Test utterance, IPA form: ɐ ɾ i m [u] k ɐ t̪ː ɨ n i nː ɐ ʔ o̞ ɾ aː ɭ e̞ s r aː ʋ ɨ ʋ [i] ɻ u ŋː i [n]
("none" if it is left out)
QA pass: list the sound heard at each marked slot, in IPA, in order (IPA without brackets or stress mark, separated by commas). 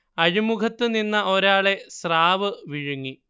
u, i, none